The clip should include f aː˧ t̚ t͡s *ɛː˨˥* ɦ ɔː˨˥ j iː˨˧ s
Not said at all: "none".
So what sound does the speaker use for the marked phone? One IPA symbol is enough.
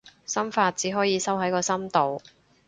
iː˨˥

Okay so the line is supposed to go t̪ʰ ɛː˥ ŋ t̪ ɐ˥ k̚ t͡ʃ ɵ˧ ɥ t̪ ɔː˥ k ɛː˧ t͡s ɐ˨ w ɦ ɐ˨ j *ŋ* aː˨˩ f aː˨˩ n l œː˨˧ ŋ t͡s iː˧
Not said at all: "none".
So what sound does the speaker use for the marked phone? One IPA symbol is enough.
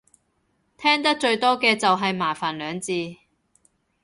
m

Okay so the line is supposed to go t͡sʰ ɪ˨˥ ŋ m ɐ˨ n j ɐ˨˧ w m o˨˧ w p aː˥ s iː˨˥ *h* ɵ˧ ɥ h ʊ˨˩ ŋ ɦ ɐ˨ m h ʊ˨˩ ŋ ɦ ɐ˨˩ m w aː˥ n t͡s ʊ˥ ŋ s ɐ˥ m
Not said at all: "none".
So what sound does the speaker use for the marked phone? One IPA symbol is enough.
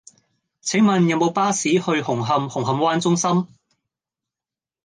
h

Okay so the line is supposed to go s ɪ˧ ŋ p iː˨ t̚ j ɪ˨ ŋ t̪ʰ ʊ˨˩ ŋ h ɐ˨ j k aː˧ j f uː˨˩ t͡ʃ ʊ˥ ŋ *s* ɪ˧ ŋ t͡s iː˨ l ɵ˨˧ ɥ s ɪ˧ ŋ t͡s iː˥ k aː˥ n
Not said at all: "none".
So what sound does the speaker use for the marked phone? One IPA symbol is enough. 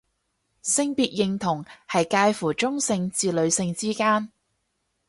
s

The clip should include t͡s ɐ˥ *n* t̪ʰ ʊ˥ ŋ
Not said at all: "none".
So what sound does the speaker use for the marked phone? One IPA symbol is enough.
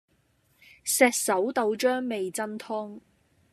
n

